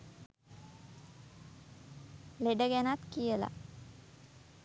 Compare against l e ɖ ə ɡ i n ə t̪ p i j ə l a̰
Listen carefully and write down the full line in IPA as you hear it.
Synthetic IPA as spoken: l e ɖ ə ɡ æ n a t̪ k i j ə l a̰